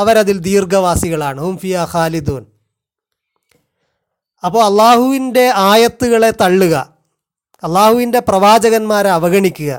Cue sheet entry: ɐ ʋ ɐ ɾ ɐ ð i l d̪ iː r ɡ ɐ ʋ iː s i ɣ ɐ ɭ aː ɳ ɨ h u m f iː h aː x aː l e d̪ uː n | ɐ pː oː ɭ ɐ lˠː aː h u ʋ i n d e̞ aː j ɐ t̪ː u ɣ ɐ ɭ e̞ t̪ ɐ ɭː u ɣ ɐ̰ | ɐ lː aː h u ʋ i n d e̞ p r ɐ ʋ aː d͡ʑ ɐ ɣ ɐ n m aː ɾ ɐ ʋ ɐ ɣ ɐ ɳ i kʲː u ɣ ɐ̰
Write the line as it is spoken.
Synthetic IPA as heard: ɐ ʋ ɐ ɾ ɐ ð i l d̪ iː r ɡ ɐ ʋ aː s i ɣ ɐ ɭ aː ɳ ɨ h u m f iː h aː x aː l i d̪ uː n | ɐ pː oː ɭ ɐ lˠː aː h u ʋ i n d e̞ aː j ɐ t̪ː u ɣ ɐ ɭ e̞ t̪ ɐ ɭː u ɣ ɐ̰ | ɐ lː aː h u ʋ i n d e̞ p r ɐ ʋ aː d͡ʑ ɐ ɣ ɐ n m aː ɾ ɐ ʋ ɐ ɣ ɐ ɳ i kʲː u ɣ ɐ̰